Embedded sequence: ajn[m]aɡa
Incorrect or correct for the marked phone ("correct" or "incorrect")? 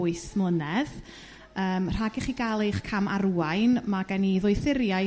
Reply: correct